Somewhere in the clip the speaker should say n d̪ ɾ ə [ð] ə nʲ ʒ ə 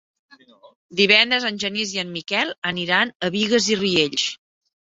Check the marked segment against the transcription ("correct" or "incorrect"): incorrect